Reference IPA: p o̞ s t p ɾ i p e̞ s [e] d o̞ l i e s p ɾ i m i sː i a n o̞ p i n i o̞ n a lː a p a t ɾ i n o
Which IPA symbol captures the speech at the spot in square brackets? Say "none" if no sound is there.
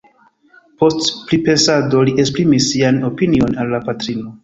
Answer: a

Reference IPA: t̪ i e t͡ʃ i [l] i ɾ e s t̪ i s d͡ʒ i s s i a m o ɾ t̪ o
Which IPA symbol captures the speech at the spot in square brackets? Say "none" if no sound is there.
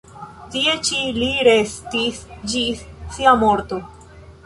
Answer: l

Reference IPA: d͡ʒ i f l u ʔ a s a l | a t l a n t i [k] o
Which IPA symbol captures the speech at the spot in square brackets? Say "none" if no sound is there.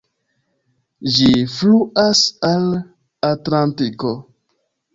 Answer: k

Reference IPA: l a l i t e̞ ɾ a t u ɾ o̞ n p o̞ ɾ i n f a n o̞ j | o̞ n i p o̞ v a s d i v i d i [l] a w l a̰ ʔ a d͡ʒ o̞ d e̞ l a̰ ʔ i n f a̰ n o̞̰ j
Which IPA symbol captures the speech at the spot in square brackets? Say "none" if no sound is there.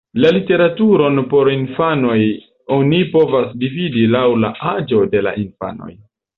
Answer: l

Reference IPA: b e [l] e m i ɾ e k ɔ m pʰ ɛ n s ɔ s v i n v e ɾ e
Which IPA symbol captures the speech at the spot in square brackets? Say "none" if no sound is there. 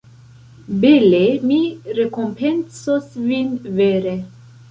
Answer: l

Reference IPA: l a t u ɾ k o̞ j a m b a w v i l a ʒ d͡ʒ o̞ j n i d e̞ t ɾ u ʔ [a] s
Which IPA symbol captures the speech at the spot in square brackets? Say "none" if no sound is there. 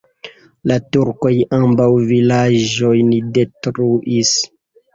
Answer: i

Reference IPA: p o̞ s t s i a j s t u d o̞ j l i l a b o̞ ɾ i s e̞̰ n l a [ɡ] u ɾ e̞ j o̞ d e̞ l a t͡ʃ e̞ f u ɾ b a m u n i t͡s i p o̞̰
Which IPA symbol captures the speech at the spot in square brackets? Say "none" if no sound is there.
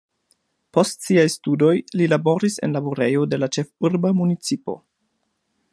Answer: b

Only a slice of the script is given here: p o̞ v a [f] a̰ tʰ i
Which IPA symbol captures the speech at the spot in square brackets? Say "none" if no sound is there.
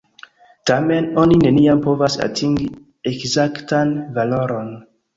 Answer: s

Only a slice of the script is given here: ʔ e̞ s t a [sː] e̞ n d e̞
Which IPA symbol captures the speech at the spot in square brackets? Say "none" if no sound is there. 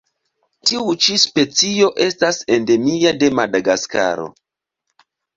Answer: s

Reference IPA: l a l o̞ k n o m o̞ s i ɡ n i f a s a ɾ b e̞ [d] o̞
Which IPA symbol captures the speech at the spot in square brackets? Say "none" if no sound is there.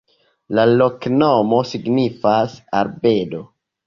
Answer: d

